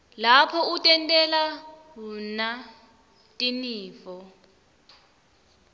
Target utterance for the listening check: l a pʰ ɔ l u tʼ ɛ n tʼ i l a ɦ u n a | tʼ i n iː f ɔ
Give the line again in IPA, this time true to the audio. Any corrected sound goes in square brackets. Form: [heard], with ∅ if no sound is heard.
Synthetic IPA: l a pʰ ɔ [∅] u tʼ ɛ n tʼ [ɛ] l a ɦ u n a | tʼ i n iː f ɔ